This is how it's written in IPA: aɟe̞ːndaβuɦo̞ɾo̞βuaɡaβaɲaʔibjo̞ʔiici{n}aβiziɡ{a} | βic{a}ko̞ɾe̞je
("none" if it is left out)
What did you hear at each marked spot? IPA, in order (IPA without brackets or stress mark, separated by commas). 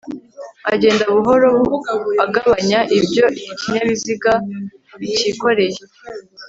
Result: ɲ, a, i